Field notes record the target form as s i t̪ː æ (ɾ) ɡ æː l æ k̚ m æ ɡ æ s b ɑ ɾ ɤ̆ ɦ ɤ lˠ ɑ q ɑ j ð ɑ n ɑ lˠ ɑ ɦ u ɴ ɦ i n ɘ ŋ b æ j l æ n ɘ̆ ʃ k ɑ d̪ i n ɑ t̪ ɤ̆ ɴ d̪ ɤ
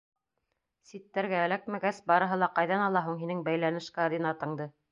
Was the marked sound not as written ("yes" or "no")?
no